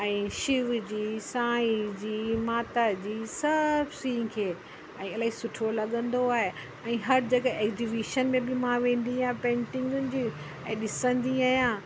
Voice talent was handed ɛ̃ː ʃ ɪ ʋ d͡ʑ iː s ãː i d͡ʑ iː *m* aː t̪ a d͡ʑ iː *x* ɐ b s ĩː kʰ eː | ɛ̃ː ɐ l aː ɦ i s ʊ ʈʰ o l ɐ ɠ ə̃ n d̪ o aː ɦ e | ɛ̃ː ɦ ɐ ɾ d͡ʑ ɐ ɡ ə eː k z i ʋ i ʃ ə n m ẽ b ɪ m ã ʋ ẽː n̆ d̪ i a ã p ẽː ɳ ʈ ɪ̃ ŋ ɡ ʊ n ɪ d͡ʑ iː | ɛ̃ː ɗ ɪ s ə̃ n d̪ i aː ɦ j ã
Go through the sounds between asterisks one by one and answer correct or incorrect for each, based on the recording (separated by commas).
correct, incorrect